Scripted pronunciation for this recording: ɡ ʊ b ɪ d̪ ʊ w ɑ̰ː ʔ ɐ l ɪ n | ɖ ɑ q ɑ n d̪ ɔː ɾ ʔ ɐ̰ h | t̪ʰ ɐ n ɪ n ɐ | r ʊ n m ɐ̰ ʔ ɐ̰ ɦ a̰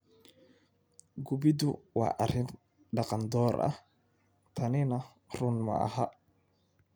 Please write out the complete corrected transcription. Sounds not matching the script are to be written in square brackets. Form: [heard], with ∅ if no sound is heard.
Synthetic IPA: ɡ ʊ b ɪ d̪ ʊ w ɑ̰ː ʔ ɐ [r] ɪ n | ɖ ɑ q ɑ n d̪ ɔː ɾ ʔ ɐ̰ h | t̪ʰ ɐ n ɪ n ɐ | r ʊ n m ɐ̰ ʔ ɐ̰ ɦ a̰